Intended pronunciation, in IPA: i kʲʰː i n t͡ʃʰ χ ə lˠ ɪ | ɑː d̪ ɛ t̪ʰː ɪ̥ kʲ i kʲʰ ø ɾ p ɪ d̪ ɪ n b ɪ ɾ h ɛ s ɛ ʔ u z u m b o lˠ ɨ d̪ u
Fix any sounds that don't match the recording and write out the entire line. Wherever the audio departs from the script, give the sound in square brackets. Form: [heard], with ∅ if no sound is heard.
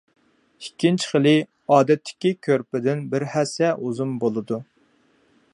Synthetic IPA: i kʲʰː i n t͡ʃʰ χ ə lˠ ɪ | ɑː d̪ ɛ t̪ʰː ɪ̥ kʲ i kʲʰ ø ɾ p ɪ d̪ ɪ n b ɪ ɾ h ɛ s ɛ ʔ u z u m b o lˠ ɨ d̪ u